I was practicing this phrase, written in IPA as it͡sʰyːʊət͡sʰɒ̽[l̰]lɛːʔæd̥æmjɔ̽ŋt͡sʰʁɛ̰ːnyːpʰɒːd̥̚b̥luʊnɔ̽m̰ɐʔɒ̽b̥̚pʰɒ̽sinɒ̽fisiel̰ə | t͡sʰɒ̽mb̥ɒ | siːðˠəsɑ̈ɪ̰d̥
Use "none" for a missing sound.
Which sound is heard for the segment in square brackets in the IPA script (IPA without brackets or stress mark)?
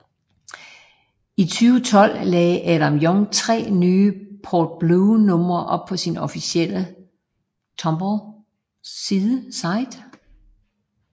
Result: l̰